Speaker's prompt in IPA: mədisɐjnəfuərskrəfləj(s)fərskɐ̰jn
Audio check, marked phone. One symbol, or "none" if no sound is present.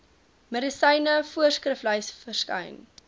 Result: s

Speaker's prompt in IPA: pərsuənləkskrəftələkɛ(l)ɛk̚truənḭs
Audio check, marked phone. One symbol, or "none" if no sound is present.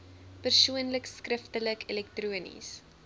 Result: l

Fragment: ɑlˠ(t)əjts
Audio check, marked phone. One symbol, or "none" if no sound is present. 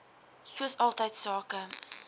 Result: t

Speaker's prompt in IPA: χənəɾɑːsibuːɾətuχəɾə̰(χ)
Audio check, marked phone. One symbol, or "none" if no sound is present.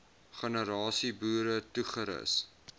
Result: s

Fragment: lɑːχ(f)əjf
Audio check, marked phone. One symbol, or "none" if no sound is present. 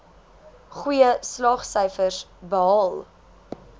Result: s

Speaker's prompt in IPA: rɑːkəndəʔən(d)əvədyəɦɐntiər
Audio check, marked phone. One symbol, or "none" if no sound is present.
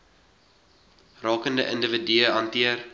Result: d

